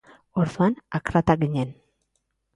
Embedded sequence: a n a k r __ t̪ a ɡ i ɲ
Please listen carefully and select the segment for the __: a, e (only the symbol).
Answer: a